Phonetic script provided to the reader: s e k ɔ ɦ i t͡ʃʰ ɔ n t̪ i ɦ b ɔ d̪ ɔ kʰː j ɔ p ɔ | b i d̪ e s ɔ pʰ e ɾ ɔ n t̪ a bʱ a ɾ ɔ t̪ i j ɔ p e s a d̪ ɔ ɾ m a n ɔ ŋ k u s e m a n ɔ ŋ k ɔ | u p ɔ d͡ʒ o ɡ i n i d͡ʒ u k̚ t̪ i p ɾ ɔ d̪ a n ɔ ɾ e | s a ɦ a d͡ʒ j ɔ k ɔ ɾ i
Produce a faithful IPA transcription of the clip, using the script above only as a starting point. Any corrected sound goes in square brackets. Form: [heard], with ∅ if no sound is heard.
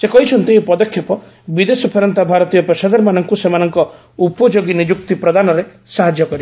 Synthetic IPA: s e k ɔ ɦ i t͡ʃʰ ɔ n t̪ i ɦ [p] ɔ d̪ ɔ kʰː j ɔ p ɔ | b i d̪ e s ɔ pʰ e ɾ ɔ n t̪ a bʱ a ɾ ɔ t̪ i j ɔ p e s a d̪ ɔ ɾ m a n ɔ ŋ k u s e m a n ɔ ŋ k ɔ | u p ɔ d͡ʒ o ɡ i n i d͡ʒ u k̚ t̪ i p ɾ ɔ d̪ a n ɔ ɾ e | s a ɦ a d͡ʒ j ɔ k ɔ ɾ i

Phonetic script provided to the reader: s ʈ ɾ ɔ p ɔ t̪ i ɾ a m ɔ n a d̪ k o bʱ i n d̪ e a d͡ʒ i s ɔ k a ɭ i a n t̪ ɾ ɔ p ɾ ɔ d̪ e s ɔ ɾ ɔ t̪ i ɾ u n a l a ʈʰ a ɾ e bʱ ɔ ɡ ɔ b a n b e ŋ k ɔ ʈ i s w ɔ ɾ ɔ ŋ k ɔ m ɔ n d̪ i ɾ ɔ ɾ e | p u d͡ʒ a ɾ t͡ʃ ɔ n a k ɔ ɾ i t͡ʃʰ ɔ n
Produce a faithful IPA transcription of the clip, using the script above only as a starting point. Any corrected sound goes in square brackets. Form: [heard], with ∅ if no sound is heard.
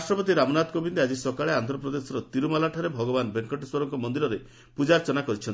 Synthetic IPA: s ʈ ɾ ɔ p ɔ t̪ i ɾ a m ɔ n a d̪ k o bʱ i n d̪ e a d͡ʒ i s ɔ k a ɭ [e] a n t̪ ɾ ɔ p ɾ ɔ d̪ e s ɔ ɾ ɔ t̪ i ɾ u [m] a l a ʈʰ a ɾ e bʱ ɔ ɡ ɔ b a n b e ŋ k ɔ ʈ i s w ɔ ɾ ɔ ŋ k ɔ m ɔ n d̪ i ɾ ɔ ɾ e | p u d͡ʒ a ɾ t͡ʃ ɔ n a k ɔ ɾ i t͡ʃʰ ɔ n

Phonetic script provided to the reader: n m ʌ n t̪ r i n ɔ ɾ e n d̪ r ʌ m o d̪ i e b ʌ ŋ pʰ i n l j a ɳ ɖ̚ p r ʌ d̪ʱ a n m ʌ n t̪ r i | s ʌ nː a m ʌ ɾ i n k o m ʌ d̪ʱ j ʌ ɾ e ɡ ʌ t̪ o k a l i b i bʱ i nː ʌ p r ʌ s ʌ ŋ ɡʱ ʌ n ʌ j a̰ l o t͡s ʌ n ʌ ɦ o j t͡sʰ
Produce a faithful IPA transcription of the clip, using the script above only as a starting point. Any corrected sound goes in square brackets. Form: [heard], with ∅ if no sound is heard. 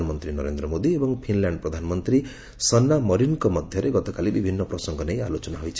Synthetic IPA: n m ʌ n t̪ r i n [ʌ] ɾ e n d̪ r ʌ m o d̪ i e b ʌ ŋ pʰ i n l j a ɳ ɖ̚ p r ʌ d̪ʱ a n m ʌ n t̪ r i | s ʌ nː a m ʌ ɾ i n k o m ʌ d̪ʱ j ʌ ɾ e ɡ ʌ t̪ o k a l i b i bʱ i nː ʌ p r ʌ s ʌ ŋ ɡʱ ʌ n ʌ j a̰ l o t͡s ʌ n [a] ɦ o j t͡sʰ

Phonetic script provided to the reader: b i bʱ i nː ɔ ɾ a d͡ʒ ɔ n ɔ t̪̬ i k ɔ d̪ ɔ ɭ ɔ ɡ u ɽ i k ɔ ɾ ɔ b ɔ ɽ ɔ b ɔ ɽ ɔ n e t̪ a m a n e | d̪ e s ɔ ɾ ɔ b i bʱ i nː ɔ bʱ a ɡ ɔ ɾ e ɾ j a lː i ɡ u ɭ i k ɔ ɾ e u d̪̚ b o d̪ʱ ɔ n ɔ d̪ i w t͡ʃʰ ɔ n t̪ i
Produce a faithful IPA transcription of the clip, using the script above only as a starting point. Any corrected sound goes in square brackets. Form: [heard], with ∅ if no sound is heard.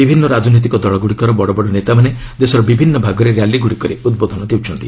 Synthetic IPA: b i bʱ i nː ɔ ɾ a d͡ʒ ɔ n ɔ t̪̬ i k ɔ d̪ ɔ ɭ ɔ ɡ u ɽ i k ɔ ɾ ɔ b ɔ ɽ ɔ b ɔ ɽ ɔ n e t̪ a m a n e | d̪ e s ɔ ɾ ɔ b i bʱ i nː ɔ bʱ a ɡ ɔ ɾ e ɾ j a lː i ɡ u [ɽ] i k ɔ ɾ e u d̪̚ b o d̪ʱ ɔ n ɔ d̪ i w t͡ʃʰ ɔ n t̪ i

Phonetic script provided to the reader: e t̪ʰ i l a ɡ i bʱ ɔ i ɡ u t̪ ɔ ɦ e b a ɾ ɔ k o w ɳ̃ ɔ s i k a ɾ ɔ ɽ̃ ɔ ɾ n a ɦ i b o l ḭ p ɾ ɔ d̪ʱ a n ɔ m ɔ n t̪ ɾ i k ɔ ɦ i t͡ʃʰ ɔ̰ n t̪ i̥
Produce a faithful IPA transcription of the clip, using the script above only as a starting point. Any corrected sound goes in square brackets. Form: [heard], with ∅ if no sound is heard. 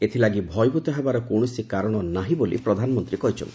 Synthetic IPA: e t̪ʰ i l a ɡ i bʱ ɔ [j] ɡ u t̪ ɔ ɦ e b a ɾ ɔ k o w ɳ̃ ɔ s i k a ɾ ɔ ɽ̃ ɔ [∅] n a ɦ i b o l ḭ p ɾ ɔ d̪ʱ a n ɔ m ɔ n t̪ ɾ i k ɔ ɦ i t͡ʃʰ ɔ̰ n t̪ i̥

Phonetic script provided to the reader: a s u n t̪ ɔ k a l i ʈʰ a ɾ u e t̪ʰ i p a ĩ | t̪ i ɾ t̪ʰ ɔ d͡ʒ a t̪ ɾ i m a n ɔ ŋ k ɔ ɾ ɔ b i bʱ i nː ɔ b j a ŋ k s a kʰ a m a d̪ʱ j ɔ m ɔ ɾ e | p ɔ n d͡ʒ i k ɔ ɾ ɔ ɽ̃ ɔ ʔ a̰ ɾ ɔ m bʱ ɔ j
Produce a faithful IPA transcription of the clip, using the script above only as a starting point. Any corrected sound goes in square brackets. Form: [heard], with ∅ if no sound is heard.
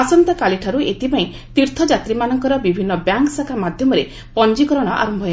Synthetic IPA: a s [ɔ] n t̪ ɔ k a l i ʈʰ a ɾ u e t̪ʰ i p a ĩ | t̪ i ɾ t̪ʰ ɔ d͡ʒ a t̪ ɾ i m a n ɔ ŋ k ɔ ɾ ɔ b i bʱ i nː ɔ b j a ŋ k s a kʰ a m a d̪ʱ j ɔ m ɔ ɾ e | p ɔ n d͡ʒ i k ɔ ɾ ɔ ɽ̃ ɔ ʔ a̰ ɾ ɔ m bʱ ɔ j

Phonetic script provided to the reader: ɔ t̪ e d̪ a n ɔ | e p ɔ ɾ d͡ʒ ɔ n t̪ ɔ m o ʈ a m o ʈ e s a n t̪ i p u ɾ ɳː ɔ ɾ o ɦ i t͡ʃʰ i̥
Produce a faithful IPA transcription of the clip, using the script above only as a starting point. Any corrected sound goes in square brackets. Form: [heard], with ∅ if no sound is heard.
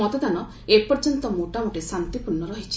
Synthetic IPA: ɔ t̪ e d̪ a n ɔ | e p ɔ ɾ d͡ʒ ɔ n t̪ ɔ m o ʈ a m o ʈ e s a n t̪ i p u ɾ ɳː ɔ ɾ [ɔ] ɦ i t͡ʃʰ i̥

